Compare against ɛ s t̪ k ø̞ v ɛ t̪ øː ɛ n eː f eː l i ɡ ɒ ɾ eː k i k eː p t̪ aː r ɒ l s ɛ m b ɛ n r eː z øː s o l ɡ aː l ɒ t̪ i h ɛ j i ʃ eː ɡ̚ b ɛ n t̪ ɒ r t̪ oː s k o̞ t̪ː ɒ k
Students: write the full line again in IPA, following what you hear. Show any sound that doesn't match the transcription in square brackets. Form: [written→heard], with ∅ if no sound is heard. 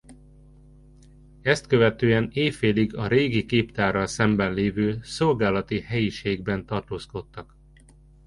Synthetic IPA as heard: ɛ s t̪ k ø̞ v ɛ t̪ øː ɛ n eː f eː l i ɡ ɒ ɾ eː [k→ɡ] i k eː p t̪ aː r ɒ l s ɛ m b ɛ n [r→l] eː [z→v] øː s o l ɡ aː l ɒ t̪ i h ɛ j i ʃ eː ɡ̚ b ɛ n t̪ ɒ r t̪ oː s k o̞ t̪ː ɒ k